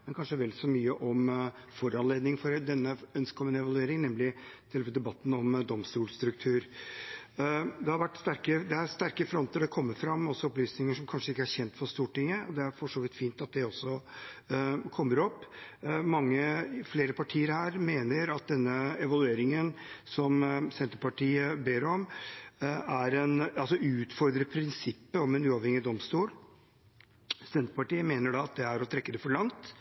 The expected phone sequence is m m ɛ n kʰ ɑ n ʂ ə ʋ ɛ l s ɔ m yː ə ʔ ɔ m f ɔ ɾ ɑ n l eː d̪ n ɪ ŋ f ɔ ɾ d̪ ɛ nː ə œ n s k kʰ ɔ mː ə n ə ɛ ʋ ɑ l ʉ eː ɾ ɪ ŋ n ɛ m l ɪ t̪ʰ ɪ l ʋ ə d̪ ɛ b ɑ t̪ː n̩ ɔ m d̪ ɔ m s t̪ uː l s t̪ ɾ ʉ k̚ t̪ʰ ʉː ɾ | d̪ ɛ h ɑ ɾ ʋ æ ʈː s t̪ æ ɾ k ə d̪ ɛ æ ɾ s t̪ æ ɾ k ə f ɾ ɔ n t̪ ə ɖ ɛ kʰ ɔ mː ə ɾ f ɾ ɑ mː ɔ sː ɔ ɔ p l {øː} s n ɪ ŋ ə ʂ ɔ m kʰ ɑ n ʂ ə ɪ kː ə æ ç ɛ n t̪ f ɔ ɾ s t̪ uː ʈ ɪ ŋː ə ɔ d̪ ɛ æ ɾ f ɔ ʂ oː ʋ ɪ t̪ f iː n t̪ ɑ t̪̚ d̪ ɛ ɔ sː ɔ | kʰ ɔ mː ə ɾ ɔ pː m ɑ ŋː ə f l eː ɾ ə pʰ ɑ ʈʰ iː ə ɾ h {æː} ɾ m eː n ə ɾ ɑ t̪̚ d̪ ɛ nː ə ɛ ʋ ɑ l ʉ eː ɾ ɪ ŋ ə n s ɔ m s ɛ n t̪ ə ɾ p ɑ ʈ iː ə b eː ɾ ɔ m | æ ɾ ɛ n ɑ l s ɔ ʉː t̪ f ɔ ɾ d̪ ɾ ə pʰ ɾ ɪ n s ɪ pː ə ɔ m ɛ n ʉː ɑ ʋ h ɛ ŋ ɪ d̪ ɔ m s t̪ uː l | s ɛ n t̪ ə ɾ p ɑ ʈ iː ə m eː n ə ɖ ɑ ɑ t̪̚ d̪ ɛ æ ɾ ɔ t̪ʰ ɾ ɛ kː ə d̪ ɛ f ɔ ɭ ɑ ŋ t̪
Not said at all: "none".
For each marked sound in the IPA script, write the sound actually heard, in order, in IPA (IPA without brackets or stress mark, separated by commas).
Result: yː, æː